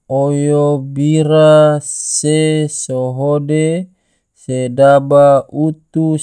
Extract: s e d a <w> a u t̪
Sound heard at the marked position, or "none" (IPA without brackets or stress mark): b